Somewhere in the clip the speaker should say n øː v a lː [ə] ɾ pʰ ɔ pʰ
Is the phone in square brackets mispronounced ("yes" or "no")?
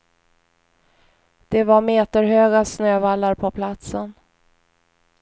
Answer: yes